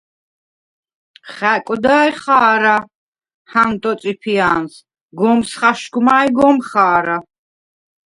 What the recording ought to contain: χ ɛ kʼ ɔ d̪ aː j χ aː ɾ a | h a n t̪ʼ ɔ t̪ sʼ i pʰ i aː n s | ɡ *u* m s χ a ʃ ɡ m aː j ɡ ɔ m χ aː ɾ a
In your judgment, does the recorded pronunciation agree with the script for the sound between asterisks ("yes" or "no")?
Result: no